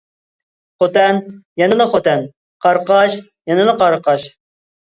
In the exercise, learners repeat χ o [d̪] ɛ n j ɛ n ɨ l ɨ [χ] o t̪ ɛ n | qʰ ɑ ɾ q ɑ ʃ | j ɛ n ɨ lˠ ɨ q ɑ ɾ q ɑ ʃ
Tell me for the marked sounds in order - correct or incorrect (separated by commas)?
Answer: incorrect, correct